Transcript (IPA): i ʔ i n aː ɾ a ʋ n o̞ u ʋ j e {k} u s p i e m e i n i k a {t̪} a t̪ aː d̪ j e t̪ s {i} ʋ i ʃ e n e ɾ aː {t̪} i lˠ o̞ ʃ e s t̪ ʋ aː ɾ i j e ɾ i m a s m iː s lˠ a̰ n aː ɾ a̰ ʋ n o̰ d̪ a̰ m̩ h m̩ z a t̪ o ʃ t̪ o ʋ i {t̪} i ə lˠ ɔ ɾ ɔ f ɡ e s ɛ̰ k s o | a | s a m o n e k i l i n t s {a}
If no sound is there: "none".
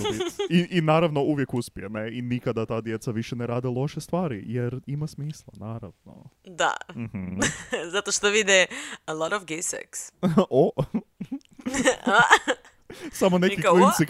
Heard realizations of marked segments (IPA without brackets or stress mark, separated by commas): k, d̪, a, d̪, d̪, i